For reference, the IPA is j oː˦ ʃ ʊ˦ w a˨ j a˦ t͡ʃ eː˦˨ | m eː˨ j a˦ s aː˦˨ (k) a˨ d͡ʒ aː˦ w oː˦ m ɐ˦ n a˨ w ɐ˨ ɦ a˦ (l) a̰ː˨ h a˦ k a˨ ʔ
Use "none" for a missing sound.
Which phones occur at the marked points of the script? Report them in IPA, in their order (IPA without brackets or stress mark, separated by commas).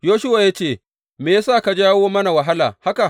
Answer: k, l